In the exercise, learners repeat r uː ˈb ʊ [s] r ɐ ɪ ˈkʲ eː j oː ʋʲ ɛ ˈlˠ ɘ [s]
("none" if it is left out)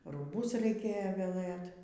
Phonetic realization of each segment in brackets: s, t

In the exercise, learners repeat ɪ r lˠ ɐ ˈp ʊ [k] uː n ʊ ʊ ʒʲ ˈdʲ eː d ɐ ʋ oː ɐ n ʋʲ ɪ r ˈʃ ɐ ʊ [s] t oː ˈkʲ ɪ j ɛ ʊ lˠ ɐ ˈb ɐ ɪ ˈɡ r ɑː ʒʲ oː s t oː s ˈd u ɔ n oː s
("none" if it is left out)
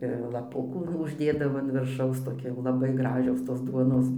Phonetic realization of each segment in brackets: k, s

